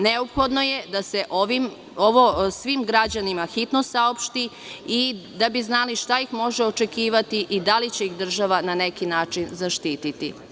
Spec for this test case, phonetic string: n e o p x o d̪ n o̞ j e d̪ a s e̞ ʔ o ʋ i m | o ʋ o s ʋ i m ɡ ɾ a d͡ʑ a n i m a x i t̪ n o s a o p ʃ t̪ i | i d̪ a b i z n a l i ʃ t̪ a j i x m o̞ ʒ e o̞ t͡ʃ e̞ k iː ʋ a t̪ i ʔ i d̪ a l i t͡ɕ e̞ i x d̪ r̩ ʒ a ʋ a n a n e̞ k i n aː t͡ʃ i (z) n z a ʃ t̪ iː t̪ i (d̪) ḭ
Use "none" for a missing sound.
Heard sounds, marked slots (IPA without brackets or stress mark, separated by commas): none, t̪